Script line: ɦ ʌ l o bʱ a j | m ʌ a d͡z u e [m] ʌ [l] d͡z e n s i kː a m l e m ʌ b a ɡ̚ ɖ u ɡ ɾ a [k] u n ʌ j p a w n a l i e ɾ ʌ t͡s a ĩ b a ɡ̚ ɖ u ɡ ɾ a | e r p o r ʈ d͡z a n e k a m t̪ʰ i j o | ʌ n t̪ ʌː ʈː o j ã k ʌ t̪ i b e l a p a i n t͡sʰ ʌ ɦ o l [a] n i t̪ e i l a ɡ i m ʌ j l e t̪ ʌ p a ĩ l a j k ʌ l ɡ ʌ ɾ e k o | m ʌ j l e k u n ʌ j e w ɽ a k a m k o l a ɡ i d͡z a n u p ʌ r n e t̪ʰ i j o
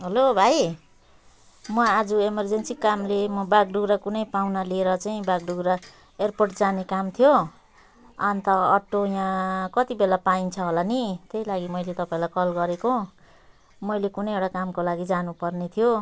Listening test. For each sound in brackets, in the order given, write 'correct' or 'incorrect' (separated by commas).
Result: correct, incorrect, correct, correct